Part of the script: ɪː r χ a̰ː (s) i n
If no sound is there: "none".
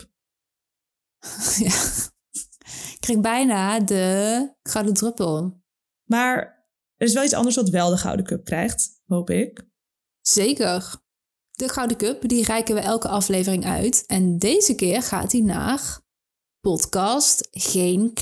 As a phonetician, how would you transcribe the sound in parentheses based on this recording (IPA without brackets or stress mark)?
t